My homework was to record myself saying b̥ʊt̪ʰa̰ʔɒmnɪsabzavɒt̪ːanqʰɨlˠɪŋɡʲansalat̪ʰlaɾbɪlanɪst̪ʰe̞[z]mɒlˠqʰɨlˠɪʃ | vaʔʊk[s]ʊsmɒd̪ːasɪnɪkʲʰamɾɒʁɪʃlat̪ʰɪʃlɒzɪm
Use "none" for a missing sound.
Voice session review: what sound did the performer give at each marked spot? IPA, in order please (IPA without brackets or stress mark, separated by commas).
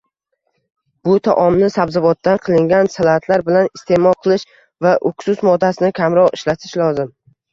none, s